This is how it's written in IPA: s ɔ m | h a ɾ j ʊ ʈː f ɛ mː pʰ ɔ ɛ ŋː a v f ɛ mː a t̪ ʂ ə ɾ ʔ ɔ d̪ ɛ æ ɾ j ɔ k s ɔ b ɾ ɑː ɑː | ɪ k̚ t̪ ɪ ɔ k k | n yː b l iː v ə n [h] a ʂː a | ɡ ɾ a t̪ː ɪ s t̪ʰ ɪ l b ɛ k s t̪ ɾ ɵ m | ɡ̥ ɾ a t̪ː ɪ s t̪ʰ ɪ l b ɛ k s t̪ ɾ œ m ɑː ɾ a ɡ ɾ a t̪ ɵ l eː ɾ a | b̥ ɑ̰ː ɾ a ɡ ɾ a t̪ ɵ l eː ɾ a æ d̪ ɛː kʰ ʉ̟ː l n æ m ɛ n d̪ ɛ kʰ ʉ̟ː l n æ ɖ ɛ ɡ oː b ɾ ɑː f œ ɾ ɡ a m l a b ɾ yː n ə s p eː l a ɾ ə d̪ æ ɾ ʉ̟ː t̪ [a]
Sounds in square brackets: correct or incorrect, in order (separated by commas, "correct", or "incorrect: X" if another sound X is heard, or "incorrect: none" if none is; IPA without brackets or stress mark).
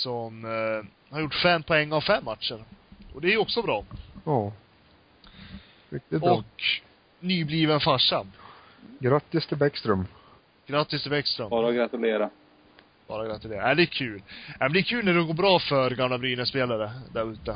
incorrect: f, incorrect: ə